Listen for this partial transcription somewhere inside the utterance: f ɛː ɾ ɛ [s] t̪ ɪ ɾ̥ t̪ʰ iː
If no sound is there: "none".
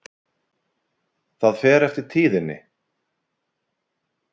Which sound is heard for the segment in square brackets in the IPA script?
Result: f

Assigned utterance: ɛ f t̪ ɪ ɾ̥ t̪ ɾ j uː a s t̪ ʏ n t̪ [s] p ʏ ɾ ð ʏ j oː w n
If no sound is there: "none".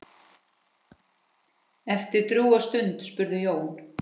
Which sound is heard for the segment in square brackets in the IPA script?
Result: s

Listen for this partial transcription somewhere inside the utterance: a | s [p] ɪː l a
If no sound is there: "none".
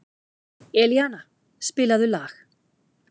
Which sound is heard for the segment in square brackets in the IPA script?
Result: p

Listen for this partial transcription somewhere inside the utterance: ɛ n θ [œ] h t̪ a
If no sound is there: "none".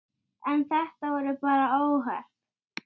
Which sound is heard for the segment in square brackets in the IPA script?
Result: ɛ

